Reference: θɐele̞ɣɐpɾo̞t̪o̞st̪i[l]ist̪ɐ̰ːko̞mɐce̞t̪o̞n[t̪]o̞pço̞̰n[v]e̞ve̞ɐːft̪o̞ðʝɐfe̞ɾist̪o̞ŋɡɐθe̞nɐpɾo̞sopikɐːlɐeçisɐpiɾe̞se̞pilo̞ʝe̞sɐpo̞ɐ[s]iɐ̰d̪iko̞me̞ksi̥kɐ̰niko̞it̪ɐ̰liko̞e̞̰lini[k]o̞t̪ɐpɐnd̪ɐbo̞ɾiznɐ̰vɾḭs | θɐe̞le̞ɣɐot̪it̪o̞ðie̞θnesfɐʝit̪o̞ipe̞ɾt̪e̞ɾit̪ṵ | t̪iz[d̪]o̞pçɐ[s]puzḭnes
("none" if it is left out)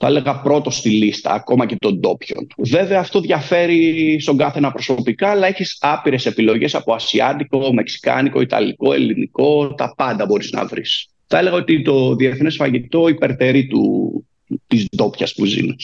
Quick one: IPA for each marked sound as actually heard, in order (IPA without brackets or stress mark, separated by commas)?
l, d̪, v, s, k, d̪, s